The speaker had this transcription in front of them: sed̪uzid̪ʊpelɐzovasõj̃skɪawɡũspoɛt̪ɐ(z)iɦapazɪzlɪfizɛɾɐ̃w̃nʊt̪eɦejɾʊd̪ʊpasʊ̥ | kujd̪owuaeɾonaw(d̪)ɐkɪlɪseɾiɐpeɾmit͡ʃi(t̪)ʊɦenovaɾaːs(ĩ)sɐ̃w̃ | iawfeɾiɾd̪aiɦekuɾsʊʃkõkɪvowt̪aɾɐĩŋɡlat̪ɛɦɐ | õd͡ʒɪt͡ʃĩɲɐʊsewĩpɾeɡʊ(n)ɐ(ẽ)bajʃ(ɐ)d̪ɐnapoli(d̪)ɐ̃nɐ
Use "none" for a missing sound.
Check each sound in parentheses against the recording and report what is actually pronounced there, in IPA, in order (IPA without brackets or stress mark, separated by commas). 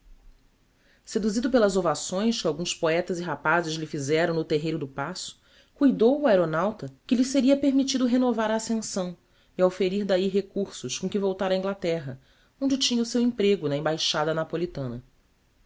z, t̪, d̪, ẽ, n, ẽ, a, t̪